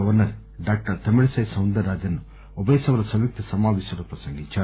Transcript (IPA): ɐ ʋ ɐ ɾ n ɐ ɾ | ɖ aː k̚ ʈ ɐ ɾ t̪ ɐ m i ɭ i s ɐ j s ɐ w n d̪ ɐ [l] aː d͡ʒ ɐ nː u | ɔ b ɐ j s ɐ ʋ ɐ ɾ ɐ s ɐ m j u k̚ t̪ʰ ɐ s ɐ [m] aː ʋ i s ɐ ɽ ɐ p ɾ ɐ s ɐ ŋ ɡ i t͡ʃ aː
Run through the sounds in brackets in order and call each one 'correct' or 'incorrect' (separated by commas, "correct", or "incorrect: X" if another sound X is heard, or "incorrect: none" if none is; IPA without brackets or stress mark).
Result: incorrect: ɾ, correct